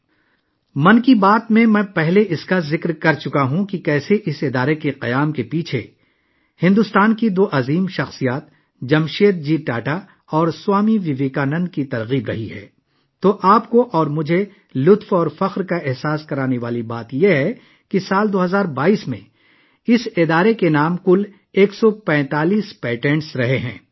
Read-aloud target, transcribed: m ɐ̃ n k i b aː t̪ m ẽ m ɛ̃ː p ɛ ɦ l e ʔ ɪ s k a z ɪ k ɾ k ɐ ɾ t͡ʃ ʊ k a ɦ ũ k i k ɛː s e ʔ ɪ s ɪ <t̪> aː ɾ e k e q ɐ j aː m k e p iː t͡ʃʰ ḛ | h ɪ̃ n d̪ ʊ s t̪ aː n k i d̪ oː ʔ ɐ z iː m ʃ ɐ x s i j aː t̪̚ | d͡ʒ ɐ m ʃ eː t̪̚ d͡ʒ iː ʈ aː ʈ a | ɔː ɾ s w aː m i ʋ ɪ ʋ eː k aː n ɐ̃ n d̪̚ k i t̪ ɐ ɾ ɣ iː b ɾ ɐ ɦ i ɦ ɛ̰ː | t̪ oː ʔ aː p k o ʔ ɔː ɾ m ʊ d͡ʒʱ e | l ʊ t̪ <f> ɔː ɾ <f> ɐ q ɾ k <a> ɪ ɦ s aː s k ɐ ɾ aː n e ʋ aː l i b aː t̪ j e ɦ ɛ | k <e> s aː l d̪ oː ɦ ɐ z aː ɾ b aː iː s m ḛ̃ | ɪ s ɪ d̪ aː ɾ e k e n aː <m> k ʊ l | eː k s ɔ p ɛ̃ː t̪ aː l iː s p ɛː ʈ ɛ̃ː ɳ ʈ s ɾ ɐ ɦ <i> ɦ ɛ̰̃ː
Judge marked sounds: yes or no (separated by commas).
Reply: no, yes, yes, yes, no, yes, no